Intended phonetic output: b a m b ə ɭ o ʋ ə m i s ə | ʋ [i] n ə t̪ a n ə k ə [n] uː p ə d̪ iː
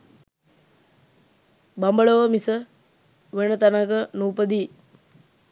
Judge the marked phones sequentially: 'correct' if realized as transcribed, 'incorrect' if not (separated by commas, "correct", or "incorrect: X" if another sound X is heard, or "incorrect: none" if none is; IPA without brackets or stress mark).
incorrect: e, correct